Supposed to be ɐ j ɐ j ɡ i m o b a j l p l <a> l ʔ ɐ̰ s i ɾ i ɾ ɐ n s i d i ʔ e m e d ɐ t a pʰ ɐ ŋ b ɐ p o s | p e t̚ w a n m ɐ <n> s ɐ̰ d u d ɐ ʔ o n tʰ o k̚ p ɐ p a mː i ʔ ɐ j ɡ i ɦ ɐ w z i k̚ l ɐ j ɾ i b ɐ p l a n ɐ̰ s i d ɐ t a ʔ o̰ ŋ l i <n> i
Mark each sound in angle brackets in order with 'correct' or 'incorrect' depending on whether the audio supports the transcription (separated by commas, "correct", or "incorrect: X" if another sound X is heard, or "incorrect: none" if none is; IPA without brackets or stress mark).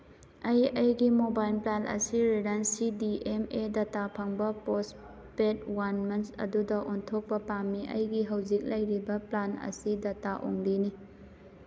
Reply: correct, correct, correct